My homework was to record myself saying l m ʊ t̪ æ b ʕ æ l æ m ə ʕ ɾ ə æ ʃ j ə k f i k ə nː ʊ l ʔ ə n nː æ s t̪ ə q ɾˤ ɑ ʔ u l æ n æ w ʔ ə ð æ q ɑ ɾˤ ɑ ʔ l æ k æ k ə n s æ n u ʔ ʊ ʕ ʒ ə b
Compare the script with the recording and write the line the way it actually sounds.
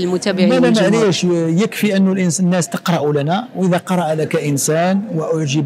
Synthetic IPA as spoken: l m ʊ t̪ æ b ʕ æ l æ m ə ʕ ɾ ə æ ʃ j ə k f i ʔ ə nː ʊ l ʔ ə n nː æ s t̪ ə q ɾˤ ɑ ʔ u l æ n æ w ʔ ə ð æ q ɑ ɾˤ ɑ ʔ l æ k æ ʔ ə n s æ n w ʔ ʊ ʕ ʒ ə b